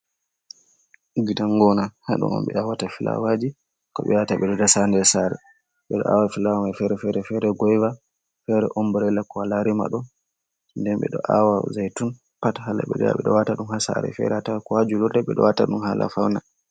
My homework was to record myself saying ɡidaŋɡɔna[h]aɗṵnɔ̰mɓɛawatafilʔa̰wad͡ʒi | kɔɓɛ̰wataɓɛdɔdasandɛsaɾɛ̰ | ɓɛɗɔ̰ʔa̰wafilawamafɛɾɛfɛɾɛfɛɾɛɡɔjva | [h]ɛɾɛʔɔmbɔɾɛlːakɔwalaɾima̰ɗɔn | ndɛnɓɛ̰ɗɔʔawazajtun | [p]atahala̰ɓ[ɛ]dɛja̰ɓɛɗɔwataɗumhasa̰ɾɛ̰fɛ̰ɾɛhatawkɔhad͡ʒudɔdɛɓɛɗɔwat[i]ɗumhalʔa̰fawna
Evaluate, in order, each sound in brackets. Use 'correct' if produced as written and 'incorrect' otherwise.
correct, incorrect, correct, correct, incorrect

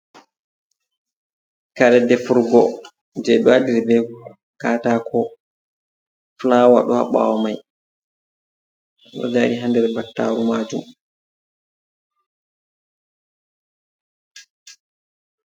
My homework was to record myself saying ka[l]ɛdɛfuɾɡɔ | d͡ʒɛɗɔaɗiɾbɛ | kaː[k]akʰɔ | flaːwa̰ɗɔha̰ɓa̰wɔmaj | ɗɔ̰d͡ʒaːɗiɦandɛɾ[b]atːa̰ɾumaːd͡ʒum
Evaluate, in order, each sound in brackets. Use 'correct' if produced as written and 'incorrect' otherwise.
incorrect, incorrect, correct

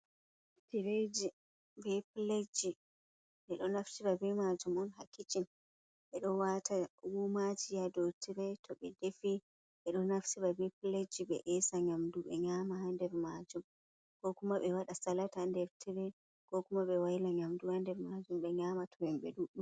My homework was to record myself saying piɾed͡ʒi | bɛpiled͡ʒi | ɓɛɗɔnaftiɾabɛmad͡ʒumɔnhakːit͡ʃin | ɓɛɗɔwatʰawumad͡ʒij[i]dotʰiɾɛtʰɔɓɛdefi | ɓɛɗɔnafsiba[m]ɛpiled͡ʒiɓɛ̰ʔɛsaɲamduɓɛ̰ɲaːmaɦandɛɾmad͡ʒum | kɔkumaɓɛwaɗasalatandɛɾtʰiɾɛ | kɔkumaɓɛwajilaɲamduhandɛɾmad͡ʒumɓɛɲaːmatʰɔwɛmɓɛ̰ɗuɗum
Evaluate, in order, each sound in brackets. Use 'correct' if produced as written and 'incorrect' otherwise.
incorrect, incorrect

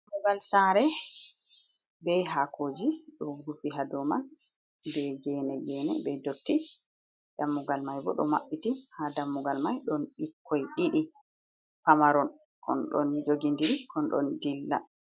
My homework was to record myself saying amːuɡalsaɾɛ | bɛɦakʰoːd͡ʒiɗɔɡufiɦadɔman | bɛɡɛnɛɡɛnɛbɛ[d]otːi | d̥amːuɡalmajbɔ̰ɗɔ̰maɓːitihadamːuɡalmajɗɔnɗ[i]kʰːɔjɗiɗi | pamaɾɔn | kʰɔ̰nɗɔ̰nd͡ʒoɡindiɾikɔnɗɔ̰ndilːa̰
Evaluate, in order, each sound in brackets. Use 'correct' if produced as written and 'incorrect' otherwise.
correct, correct

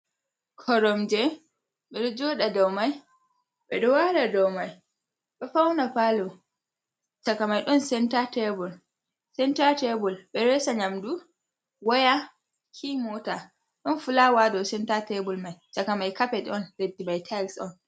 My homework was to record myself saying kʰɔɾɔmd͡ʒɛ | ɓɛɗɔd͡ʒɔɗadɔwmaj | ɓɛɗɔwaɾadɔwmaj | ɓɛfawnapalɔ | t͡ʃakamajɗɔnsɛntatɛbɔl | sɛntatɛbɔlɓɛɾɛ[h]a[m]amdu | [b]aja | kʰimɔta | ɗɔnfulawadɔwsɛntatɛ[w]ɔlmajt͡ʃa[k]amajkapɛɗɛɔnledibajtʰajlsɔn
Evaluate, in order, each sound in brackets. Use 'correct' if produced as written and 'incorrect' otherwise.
incorrect, incorrect, incorrect, incorrect, correct

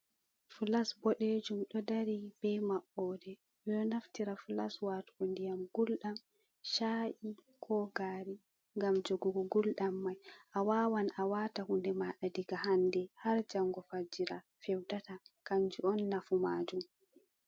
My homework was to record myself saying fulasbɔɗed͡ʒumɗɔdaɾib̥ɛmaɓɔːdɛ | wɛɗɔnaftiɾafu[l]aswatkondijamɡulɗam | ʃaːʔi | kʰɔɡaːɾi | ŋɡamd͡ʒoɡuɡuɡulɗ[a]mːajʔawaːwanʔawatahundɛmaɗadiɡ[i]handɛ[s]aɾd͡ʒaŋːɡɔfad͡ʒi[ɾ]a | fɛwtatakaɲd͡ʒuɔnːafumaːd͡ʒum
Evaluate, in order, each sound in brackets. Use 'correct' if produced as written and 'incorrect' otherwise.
correct, correct, incorrect, incorrect, correct

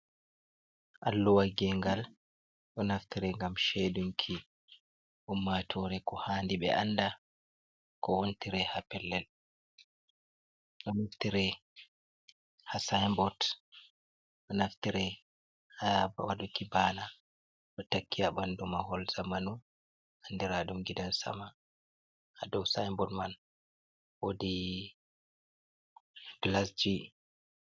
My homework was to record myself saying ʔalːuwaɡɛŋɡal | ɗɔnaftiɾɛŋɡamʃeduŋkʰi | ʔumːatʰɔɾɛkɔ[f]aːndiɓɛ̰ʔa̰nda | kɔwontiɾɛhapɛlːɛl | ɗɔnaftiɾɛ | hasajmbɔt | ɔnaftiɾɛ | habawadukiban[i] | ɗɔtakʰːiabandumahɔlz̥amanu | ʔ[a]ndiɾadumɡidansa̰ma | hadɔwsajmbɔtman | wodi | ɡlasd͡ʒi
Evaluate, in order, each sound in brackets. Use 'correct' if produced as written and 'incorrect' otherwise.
incorrect, incorrect, correct

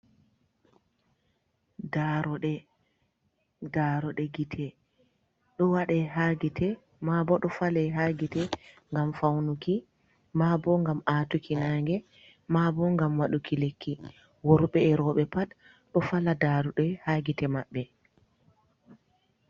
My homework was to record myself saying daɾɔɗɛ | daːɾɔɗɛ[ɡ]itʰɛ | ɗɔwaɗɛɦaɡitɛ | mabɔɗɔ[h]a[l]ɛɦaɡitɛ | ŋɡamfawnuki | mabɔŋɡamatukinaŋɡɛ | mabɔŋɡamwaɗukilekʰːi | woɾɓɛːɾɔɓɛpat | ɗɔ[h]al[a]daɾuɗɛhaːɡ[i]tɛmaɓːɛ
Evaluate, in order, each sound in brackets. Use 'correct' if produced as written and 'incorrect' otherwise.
correct, incorrect, correct, incorrect, correct, correct

